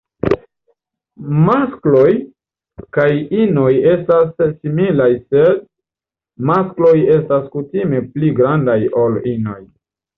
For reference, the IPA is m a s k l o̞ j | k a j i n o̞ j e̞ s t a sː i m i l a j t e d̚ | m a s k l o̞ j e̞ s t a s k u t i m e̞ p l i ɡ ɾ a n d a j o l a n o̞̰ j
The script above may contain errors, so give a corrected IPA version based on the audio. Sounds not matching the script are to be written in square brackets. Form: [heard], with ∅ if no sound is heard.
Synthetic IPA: m a s k l o̞ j | k a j i n o̞ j e̞ s t a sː i m i l a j [s] e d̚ | m a s k l o̞ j e̞ s t a s k u t i m e̞ p l i ɡ ɾ a n d a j o l [i] n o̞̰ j